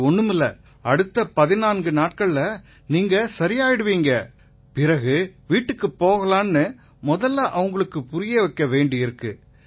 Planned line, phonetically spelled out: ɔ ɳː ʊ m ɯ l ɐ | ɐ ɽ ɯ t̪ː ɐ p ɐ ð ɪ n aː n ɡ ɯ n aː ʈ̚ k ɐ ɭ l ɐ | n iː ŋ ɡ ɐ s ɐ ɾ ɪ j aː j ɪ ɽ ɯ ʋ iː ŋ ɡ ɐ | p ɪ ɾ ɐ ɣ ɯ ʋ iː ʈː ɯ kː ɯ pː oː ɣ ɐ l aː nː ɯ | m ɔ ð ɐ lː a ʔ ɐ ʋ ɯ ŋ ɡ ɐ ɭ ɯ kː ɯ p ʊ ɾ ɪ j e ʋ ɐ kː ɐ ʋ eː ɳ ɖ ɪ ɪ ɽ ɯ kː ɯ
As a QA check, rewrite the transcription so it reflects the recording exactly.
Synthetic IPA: ɔ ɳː ɯ m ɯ l ɐ | ɐ ɽ ɯ t̪ː ɐ p ɐ ð ɪ n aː n ɡ ɯ n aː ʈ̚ k ɐ ɭ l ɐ | n iː ŋ ɡ ɐ s ɐ ɾ ɪ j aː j ɪ ɽ ɯ ʋ iː ŋ ɡ ɐ | p ɪ ɾ ɐ ɣ ɯ ʋ iː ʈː ɯ kː ɯ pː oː ɣ ɐ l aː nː ɯ | m ɔ ð ɐ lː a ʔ ɐ ʋ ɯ ŋ ɡ ɐ ɭ ɯ kː ɯ p ʊ ɾ ɪ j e ʋ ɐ kː ɐ ʋ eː ɳ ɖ ɪ ɪ ɾ ɯ kː ɯ